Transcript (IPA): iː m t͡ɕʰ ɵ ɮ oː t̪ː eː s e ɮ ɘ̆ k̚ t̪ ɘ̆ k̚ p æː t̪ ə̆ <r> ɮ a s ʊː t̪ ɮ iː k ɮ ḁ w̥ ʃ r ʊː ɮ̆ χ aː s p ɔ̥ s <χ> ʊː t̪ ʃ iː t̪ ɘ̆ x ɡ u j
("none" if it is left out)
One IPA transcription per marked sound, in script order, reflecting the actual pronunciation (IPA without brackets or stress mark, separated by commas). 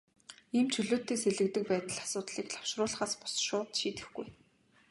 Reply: none, ʃ